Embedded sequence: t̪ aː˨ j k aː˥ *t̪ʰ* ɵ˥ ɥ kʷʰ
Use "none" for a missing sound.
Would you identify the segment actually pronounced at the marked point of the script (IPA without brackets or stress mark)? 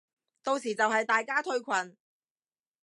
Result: t̪ʰ